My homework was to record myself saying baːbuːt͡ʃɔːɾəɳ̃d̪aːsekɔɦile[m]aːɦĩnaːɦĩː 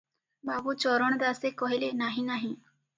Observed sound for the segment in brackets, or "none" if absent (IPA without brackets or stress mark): n